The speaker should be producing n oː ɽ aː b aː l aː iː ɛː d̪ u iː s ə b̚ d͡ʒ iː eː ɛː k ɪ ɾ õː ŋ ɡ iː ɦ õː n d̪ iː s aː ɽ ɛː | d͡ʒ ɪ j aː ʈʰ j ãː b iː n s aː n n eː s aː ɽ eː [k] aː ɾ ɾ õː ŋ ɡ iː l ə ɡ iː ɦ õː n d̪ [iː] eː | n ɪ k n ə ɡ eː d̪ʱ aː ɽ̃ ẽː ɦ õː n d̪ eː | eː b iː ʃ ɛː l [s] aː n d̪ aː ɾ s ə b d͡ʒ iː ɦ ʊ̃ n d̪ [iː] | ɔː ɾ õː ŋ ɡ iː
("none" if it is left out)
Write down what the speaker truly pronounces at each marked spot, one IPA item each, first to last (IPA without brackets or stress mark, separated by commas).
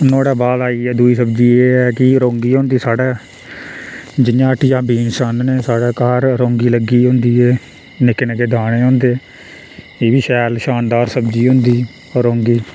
k, iː, ʃ, iː